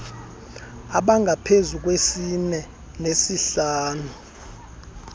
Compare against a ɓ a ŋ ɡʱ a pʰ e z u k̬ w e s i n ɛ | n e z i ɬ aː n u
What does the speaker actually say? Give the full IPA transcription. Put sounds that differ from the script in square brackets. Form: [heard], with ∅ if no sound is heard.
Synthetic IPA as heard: a ɓ a ŋ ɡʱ a pʰ e z u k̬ w e s i n ɛ | n e [s] i ɬ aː n u